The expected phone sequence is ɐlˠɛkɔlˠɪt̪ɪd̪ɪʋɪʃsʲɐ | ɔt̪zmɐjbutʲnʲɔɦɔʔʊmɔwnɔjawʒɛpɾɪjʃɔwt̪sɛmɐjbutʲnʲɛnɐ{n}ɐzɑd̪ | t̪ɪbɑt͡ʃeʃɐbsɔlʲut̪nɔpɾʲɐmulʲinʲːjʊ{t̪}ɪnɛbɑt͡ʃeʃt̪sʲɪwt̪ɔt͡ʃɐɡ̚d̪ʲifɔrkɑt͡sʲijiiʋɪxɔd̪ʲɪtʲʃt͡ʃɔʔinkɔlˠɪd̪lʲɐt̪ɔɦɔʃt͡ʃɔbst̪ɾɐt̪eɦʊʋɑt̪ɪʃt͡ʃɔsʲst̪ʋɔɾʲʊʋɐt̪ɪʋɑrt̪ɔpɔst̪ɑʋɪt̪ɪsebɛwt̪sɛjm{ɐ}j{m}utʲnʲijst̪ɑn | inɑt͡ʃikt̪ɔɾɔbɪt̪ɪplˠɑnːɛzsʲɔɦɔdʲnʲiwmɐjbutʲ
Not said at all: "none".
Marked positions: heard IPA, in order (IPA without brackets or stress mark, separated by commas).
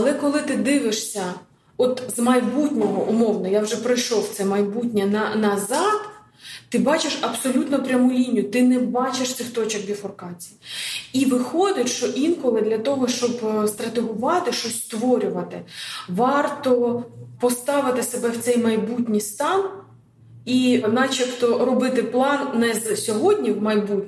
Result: n, t̪, ɐ, b